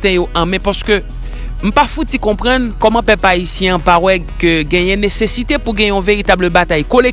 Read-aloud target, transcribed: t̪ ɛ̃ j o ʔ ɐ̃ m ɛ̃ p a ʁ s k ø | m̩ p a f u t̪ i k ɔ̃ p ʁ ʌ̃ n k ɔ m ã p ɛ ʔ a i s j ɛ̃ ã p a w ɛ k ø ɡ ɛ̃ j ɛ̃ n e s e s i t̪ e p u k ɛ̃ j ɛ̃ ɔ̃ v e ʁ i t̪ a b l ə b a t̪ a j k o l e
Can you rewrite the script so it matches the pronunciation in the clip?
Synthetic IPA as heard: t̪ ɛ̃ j o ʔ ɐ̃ m ɛ̃ p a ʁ s k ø | m̩ p a f u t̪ i k ɔ̃ p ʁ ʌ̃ n k ɔ m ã p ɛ p a i s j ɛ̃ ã p a w ɛ k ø ɡ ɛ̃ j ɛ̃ n e s e s i t̪ e p u ɡ ɛ̃ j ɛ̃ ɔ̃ v e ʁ i t̪ a b l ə b a t̪ a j k o l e